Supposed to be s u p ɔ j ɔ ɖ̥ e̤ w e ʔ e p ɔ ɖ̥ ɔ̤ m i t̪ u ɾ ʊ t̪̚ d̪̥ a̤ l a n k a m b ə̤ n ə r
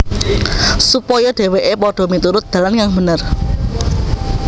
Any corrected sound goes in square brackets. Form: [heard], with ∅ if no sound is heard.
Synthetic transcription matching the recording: s u p ɔ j ɔ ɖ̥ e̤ w e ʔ e p ɔ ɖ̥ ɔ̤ m i t̪ u ɾ ʊ t̪̚ d̪̥ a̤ l a n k a [ŋ] b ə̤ n ə r